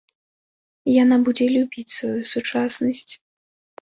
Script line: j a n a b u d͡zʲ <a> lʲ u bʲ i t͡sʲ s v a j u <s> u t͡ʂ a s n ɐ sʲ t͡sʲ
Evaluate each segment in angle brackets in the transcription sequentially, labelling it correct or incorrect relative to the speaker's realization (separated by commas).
incorrect, correct